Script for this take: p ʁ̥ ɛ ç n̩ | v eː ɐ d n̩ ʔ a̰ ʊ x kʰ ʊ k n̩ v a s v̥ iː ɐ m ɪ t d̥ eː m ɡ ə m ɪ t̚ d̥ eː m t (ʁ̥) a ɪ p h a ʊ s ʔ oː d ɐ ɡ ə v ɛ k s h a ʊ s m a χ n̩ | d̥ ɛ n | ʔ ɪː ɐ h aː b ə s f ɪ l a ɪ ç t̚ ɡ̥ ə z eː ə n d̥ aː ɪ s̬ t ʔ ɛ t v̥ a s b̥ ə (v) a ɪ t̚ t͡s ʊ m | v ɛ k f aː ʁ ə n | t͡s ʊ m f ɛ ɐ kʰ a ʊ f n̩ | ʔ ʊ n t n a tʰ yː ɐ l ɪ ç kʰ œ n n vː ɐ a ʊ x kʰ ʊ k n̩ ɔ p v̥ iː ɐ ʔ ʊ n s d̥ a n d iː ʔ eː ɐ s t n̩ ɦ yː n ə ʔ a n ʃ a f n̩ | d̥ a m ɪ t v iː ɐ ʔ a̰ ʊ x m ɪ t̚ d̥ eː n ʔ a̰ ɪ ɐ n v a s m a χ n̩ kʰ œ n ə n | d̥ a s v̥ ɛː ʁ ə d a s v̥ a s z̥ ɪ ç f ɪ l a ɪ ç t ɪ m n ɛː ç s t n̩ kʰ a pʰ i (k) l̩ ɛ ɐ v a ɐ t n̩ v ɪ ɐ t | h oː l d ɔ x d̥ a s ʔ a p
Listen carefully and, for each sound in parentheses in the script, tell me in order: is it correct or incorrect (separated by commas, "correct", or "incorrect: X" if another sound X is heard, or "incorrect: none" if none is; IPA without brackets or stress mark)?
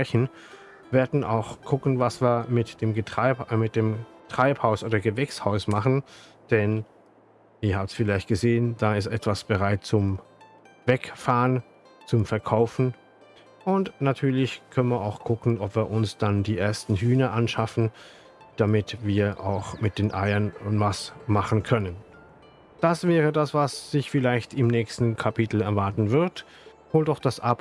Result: correct, incorrect: ʁ, incorrect: t